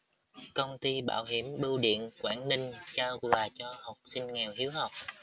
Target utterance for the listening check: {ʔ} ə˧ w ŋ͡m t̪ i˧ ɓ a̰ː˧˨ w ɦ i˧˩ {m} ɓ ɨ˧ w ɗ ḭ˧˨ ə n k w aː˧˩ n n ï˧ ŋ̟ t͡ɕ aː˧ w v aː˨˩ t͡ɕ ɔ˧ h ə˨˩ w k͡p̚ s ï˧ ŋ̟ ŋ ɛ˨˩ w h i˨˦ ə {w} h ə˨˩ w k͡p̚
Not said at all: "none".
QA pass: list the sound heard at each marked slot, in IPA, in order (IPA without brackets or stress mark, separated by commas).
k, m, w